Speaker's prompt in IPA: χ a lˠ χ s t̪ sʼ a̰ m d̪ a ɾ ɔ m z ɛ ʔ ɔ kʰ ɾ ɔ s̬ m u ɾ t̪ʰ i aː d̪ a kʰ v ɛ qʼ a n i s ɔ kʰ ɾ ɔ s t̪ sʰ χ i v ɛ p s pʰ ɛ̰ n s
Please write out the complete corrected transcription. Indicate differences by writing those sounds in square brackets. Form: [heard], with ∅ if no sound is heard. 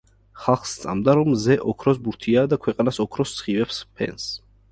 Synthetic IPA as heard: χ a lˠ χ s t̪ sʼ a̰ m d̪ a ɾ ɔ m z ɛ ʔ ɔ kʰ ɾ ɔ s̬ [b] u ɾ t̪ʰ i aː d̪ a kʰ [w] ɛ qʼ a n [a] s ɔ kʰ ɾ ɔ s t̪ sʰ χ i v ɛ p s pʰ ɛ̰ n s